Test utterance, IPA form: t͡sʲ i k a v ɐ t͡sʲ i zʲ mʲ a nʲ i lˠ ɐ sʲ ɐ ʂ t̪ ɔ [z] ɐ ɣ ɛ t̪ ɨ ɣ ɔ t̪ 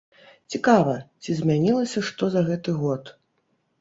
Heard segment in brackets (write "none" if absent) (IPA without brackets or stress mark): z